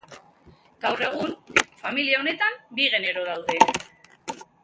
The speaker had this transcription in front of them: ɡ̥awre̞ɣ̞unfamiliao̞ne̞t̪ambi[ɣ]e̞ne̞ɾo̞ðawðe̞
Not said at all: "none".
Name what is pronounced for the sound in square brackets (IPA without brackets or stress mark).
ɣ